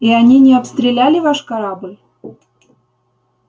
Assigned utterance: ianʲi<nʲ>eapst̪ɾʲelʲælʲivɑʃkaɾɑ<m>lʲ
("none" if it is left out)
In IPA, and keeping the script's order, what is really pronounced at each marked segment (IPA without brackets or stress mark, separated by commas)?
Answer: nʲ, b